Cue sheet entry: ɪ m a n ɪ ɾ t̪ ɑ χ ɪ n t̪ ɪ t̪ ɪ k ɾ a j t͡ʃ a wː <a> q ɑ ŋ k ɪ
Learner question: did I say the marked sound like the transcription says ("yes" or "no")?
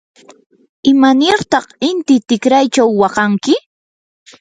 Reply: no